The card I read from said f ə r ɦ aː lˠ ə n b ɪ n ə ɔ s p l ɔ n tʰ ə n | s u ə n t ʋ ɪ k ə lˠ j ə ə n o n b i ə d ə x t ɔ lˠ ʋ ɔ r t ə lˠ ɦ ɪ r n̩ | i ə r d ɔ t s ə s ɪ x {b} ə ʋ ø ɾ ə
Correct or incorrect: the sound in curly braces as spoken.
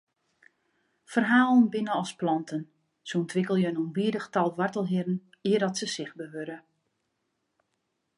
correct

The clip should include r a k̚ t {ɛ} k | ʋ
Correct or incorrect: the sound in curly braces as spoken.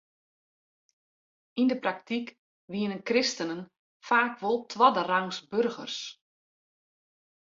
incorrect: i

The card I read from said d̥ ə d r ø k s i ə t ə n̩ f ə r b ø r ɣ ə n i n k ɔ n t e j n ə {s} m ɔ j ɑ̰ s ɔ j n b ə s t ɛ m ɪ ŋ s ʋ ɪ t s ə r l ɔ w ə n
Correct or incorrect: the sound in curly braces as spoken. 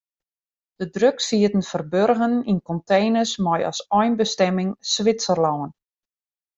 correct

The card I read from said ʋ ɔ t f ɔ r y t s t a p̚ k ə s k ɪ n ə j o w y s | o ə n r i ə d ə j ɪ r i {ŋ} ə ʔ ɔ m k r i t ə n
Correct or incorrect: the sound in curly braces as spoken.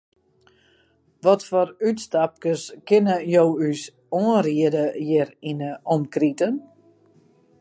incorrect: n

